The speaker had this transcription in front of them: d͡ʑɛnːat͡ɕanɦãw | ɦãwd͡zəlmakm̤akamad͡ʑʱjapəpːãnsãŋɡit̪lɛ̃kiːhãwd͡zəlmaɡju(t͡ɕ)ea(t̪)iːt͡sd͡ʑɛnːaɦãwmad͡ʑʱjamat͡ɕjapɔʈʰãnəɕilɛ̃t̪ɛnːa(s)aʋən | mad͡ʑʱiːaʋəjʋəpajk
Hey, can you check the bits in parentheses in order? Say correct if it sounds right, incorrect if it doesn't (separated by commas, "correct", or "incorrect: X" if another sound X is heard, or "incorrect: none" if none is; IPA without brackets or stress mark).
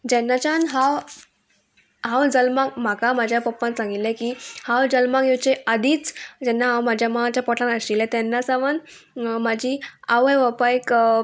correct, incorrect: d̪, correct